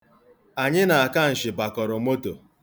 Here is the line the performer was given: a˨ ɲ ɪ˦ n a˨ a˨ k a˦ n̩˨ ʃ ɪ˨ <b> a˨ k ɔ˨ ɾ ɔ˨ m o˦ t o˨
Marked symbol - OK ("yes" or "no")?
yes